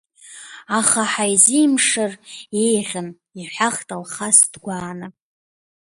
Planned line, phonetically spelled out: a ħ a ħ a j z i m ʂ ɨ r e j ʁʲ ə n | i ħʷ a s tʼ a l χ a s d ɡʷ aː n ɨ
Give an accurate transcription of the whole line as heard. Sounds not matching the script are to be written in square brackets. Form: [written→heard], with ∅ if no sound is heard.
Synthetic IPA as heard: a [ħ→χ] a ħ a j z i m ʂ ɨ r e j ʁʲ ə n | i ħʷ a [s→χ] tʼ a l χ a s d ɡʷ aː n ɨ